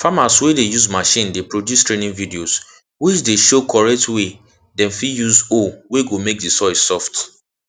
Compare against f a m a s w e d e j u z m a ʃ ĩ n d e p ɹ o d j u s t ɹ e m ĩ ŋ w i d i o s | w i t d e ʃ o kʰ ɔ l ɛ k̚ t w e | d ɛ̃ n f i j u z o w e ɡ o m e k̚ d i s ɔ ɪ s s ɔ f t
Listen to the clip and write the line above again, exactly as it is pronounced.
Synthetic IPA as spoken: f a m a s w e d e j u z m a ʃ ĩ n d e p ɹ o d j u s t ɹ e n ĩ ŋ v i d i o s | w i t͡ʃ d e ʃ o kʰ ɔ ɹ ɛ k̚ t w e | d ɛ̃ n f i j u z o w e ɡ o m e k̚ d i s ɔ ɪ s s ɔ f t